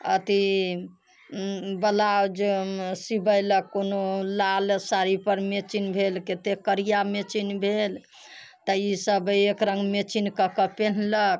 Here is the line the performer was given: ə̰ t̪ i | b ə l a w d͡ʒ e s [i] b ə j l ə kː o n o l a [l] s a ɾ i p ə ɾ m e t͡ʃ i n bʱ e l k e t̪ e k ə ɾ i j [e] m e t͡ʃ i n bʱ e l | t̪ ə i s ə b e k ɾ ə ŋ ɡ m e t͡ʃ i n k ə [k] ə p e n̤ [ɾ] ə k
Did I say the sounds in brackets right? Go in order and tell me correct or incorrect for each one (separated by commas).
correct, correct, incorrect, correct, incorrect